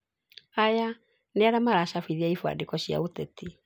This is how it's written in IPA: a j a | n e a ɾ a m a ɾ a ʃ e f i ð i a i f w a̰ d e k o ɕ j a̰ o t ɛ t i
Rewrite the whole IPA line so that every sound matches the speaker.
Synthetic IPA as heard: a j a | n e a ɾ a m a ɾ a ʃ a f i ð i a i f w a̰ d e k ɔ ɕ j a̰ o t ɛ t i